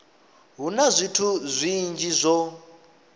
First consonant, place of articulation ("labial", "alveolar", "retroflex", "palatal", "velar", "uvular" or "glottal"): glottal